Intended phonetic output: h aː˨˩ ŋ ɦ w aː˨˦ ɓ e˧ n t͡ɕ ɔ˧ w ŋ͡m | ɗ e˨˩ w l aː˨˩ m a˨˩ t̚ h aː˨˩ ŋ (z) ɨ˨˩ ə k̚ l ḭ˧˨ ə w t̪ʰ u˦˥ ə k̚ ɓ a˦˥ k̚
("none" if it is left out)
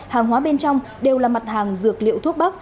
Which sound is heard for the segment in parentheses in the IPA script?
z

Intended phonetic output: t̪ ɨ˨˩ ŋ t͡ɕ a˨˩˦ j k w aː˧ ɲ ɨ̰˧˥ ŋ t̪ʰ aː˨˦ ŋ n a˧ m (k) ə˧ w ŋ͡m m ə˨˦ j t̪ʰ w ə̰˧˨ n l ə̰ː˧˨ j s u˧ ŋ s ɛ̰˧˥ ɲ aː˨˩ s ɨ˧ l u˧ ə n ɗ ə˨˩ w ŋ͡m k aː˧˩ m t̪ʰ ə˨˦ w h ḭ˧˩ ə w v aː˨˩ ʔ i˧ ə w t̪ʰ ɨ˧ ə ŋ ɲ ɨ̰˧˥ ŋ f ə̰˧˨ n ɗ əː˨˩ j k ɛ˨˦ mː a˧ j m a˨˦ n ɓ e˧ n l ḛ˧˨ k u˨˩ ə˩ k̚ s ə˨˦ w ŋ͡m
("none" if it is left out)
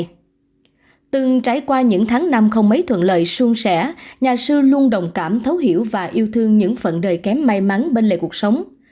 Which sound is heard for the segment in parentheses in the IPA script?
x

